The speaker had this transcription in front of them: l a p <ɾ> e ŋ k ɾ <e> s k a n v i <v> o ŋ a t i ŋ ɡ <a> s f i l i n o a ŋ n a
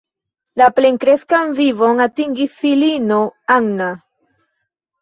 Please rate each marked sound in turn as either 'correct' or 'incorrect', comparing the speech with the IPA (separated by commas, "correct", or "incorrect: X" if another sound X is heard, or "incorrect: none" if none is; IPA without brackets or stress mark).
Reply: incorrect: l, correct, correct, incorrect: i